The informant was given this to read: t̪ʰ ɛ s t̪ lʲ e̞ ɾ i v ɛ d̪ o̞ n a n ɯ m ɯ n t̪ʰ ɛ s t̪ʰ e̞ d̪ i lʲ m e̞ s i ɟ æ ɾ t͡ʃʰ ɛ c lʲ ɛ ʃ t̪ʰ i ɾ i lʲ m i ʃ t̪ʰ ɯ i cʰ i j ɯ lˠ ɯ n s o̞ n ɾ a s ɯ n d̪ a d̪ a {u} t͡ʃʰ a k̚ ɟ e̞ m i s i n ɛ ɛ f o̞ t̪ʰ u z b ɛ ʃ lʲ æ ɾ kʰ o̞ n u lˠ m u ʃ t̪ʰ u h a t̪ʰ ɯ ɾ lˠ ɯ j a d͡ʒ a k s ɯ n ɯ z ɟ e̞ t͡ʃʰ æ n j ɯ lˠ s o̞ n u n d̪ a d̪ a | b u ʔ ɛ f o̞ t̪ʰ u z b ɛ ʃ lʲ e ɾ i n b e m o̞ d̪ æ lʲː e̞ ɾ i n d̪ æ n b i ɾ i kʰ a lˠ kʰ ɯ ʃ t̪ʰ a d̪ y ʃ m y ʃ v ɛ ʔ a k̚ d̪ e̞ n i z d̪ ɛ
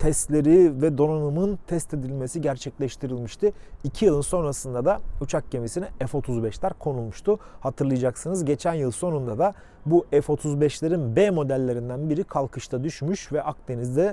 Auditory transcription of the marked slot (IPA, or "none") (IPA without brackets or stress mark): u